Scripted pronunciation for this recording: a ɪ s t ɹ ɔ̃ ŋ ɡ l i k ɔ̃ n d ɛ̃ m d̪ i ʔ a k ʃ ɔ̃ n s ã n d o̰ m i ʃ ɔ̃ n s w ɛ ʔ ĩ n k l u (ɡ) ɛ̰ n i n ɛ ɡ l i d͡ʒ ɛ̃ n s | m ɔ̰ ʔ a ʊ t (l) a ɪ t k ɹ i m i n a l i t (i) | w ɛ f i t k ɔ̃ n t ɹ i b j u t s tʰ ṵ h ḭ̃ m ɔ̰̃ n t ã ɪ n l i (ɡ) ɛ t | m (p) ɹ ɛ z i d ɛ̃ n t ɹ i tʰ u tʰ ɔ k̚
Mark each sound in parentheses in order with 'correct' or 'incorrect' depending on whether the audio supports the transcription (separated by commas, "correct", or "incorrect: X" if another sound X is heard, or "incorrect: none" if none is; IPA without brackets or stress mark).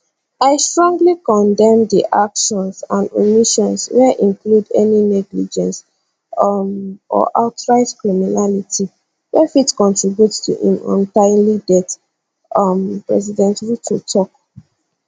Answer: incorrect: d, incorrect: ɹ, correct, incorrect: d, correct